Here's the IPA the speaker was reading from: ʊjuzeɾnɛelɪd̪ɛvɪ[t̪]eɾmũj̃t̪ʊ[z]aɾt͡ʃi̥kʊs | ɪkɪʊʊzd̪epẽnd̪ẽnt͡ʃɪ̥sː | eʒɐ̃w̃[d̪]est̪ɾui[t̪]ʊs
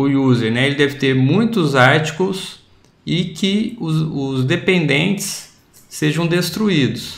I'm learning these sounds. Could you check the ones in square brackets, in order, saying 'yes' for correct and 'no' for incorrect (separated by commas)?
yes, yes, yes, no